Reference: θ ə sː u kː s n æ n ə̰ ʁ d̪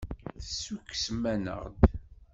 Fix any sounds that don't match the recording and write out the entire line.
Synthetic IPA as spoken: θ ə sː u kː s m æ n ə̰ ʁ d̪